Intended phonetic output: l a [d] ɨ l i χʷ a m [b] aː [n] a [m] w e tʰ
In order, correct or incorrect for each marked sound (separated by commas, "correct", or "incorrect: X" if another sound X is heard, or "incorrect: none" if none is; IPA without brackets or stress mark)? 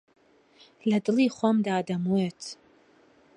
correct, incorrect: d, incorrect: d, correct